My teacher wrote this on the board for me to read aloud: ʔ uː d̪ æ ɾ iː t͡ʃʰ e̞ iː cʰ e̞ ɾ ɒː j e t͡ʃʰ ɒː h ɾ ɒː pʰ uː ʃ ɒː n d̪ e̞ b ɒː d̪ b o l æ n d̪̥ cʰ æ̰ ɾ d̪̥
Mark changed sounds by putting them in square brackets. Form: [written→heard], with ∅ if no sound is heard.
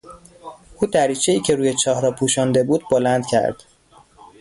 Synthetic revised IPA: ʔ uː d̪ æ ɾ iː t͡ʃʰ e̞ iː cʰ e̞ ɾ [ɒː→uː] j e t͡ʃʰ ɒː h ɾ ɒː pʰ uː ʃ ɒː n d̪ e̞ b [ɒː→uː] d̪ b o l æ n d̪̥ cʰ æ̰ ɾ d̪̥

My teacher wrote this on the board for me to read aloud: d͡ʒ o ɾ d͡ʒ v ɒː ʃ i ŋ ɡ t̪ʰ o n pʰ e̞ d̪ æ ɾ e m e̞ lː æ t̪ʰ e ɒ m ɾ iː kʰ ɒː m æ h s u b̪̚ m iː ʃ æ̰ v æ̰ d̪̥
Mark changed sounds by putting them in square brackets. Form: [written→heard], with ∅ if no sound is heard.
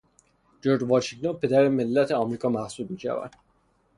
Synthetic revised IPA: d͡ʒ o ɾ d͡ʒ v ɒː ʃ i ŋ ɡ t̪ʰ o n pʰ e̞ d̪ æ ɾ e m e̞ lː æ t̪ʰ e ɒ m ɾ iː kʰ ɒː m æ h s u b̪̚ m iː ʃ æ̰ v æ̰ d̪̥

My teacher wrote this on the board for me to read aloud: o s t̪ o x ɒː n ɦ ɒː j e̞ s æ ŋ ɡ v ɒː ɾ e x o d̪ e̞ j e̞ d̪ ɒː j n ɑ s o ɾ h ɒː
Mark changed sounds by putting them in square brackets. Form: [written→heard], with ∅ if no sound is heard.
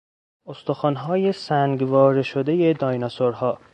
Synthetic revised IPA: o s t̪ o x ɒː n ɦ ɒː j e̞ s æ ŋ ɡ v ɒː ɾ e [x→ʃ] o d̪ e̞ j e̞ d̪ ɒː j n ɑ s o ɾ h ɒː

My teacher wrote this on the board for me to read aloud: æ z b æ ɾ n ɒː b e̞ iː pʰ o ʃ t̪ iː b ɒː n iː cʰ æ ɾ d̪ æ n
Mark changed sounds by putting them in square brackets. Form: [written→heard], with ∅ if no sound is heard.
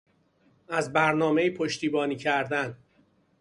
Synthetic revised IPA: æ z b æ ɾ n ɒː [b→m] e̞ iː pʰ o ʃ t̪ iː b ɒː n iː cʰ æ ɾ d̪ æ n

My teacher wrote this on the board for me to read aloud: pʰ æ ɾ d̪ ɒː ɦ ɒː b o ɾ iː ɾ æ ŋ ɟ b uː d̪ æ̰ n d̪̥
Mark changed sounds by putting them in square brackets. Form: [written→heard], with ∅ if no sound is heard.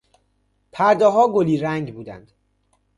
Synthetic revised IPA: pʰ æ ɾ d̪ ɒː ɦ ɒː [b→ɡ] o [ɾ→l] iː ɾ æ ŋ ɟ b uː d̪ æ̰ n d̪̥

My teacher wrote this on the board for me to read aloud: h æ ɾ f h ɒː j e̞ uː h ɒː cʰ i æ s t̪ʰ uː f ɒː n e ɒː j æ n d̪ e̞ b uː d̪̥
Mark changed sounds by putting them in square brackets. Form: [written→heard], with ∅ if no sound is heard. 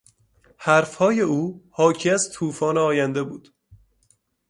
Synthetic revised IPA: h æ ɾ f h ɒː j e̞ uː h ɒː cʰ i æ [s→z] t̪ʰ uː f ɒː n e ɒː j æ n d̪ e̞ b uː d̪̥

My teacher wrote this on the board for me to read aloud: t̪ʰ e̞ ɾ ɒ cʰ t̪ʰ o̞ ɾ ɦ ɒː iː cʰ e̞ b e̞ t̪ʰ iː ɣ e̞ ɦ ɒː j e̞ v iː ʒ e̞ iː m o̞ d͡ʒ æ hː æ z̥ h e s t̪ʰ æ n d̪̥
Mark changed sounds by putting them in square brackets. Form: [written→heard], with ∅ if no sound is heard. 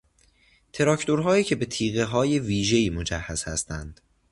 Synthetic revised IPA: t̪ʰ e̞ ɾ ɒ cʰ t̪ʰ o̞ ɾ ɦ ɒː iː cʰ e̞ b e̞ t̪ʰ iː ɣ e̞ ɦ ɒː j e̞ v iː ʒ e̞ iː m o̞ d͡ʒ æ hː æ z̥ h [e→æ] s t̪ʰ æ n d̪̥

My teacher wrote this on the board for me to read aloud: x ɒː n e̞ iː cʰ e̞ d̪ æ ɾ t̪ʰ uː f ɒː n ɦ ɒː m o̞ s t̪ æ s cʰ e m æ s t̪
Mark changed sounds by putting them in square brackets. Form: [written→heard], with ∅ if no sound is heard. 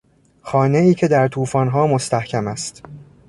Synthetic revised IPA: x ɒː n e̞ iː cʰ e̞ d̪ æ ɾ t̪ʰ uː f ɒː n ɦ ɒː m o̞ s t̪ æ [s→h] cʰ [e→æ] m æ s t̪

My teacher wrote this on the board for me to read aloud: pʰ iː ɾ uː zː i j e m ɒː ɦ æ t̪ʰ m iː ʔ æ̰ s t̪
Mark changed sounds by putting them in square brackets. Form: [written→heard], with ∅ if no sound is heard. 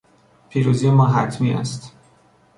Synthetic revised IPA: pʰ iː ɾ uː [zː→z] i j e m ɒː ɦ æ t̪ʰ m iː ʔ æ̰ s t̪

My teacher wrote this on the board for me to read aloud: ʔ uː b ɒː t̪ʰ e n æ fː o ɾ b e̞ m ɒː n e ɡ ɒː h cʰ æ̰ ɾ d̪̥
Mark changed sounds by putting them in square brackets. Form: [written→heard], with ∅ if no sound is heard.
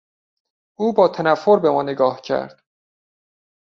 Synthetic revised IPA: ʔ uː b ɒː t̪ʰ [e→æ] n æ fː o ɾ b e̞ m ɒː n e ɡ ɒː h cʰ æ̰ ɾ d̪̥

